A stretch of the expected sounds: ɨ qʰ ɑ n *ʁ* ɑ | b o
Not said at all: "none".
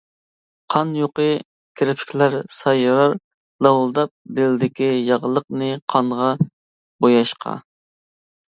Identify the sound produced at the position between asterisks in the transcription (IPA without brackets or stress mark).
ʁ